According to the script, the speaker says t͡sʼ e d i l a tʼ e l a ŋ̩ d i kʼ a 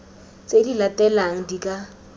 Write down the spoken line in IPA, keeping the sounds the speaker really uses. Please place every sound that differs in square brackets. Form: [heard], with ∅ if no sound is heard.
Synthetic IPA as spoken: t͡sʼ e d i l a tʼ [ɛ] l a ŋ̩ d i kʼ a

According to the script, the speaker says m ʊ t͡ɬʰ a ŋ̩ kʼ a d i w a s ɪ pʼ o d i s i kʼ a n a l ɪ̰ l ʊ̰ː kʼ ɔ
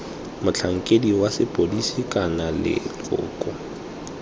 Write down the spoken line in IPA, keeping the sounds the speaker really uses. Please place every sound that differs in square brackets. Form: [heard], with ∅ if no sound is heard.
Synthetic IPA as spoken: m ʊ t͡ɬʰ a ŋ̩ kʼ [e] d i w a s ɪ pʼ o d i s i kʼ a n a l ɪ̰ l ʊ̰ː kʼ ɔ

